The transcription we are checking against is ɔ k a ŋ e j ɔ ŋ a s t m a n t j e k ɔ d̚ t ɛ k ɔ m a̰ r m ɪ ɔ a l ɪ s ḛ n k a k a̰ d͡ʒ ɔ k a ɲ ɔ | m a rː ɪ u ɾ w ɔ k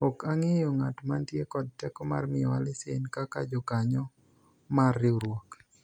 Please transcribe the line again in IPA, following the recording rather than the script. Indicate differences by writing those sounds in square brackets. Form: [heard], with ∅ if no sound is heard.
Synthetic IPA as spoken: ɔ k a ŋ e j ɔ ŋ a [∅] t m a n t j e k ɔ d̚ t ɛ k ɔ m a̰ r m ɪ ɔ a l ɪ s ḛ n k a k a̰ d͡ʒ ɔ k a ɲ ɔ | m a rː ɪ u ɾ w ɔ k